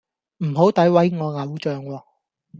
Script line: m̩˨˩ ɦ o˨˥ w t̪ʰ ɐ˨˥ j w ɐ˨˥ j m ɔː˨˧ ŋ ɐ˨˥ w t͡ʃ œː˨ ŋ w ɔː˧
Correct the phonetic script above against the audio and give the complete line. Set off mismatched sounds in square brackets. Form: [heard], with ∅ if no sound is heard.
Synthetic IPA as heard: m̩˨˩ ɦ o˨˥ w [t̪] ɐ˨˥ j w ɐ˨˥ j [ŋ] ɔː˨˧ ŋ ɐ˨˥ w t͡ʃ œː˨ ŋ w ɔː˧